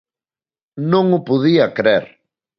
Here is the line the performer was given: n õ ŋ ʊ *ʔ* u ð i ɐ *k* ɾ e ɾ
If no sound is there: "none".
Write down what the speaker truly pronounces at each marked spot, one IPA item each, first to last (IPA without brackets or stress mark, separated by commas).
p, k